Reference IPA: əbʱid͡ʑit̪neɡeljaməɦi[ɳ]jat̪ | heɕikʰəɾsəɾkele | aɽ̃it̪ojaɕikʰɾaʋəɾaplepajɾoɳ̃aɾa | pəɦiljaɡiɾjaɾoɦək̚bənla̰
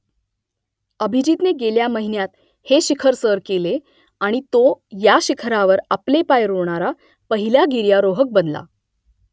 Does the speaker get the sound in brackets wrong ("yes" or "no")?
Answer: yes